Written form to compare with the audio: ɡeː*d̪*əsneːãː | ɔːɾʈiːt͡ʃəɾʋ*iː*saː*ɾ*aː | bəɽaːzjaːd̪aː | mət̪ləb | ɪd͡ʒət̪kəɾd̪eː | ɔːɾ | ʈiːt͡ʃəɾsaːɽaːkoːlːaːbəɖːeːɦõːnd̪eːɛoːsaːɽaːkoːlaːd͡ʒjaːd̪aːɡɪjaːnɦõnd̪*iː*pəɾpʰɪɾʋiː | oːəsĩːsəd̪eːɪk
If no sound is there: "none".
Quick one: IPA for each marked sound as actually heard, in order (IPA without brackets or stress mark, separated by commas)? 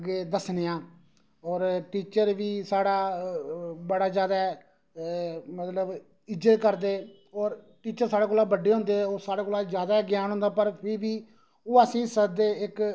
d̪, iː, ɽ, aː